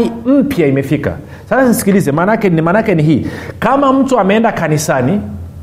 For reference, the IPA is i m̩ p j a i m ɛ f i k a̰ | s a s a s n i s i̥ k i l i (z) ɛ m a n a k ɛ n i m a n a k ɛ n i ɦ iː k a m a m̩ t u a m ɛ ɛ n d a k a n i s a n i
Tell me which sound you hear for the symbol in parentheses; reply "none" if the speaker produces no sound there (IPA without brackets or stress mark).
z